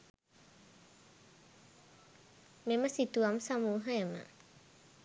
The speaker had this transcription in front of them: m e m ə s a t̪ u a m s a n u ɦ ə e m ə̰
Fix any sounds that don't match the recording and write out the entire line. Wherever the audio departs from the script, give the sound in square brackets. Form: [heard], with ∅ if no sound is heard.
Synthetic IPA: m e m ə s [i] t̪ u a m s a [m] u ɦ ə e m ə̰